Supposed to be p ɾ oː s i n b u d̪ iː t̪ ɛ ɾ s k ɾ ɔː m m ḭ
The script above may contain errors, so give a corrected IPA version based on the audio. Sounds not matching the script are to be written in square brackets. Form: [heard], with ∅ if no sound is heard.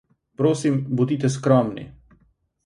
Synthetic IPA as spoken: p ɾ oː s i [m] b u d̪ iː t̪ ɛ [∅] s k ɾ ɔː m [n] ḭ